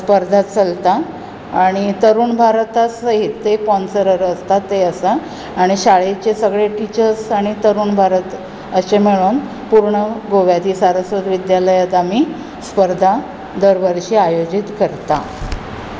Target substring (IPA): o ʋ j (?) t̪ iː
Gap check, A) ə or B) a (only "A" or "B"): B